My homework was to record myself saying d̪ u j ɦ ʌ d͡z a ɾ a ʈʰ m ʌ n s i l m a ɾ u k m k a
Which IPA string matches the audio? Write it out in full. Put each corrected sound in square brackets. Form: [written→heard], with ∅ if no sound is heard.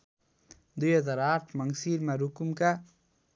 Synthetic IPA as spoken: d̪ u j ɦ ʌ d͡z a ɾ a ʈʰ m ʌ [n→ŋ] s i [l→ɾ] m a ɾ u k m k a